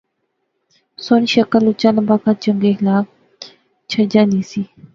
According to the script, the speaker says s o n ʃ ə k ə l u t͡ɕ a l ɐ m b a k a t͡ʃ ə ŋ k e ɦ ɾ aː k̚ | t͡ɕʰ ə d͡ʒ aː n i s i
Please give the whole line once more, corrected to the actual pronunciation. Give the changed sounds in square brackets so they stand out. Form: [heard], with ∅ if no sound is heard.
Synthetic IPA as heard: s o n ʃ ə k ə l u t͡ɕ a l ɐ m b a k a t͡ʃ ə ŋ [ɡ] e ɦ [l] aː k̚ | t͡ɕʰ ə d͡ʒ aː n i s i